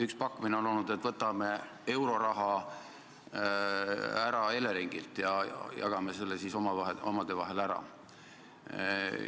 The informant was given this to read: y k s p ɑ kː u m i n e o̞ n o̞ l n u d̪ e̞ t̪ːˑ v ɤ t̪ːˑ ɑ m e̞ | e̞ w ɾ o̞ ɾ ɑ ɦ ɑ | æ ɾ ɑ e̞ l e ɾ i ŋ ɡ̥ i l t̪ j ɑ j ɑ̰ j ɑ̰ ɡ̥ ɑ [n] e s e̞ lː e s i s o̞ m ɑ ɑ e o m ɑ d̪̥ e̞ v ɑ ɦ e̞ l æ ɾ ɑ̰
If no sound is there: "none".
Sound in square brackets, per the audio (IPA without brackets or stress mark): m